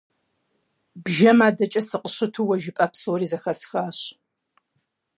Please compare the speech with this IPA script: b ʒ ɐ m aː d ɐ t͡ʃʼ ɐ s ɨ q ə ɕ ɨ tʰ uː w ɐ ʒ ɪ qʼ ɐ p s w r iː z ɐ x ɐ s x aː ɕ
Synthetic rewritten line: b ʒ ɐ m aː d ɐ t͡ʃʼ ɐ s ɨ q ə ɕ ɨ tʰ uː w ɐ ʒ ɪ pʼ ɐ p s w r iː z ɐ x ɐ s x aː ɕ